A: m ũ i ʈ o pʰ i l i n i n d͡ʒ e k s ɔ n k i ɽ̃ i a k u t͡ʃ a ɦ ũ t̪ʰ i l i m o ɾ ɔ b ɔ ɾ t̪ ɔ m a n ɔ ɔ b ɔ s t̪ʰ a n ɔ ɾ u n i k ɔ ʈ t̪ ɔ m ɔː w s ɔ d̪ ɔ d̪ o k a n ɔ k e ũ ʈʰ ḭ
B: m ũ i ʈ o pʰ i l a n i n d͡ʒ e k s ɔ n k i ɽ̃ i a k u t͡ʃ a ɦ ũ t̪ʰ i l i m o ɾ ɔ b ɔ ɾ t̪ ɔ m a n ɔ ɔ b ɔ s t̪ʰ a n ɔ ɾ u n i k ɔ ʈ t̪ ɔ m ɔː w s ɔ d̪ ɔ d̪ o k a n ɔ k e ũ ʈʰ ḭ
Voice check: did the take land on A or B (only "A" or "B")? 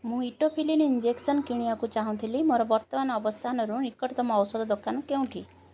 A